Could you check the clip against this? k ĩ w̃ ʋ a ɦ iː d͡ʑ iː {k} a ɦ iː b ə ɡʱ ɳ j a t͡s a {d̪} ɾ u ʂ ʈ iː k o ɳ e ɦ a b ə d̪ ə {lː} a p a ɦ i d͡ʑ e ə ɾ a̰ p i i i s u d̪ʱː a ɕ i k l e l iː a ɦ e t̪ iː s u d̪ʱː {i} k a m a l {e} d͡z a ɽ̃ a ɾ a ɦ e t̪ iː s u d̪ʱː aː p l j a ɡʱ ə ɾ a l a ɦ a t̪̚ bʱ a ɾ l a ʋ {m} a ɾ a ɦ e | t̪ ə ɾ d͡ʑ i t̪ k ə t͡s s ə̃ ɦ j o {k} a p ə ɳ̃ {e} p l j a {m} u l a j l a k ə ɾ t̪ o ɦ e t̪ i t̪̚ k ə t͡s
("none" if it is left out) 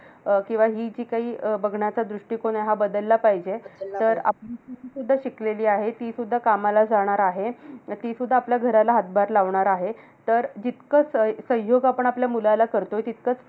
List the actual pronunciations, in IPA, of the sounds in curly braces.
k, d̪, lː, a, a, ɳ, ɡ, a, m

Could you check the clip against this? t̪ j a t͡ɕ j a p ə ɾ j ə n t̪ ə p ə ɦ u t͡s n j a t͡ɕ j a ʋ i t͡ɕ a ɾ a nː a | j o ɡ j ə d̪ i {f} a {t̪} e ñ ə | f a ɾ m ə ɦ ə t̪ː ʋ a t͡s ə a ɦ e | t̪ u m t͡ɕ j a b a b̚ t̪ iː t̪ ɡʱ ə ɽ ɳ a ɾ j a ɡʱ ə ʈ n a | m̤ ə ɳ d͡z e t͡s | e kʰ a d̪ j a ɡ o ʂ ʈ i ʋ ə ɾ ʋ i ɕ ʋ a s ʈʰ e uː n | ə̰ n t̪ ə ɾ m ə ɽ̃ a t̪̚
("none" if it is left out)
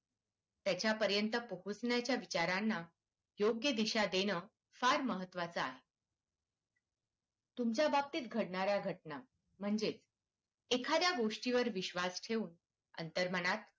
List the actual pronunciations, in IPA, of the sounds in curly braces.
ɕ, d̪

